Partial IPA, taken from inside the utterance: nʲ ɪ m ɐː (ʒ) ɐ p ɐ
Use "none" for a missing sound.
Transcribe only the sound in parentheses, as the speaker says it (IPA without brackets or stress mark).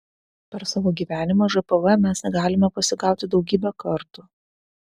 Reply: ʒ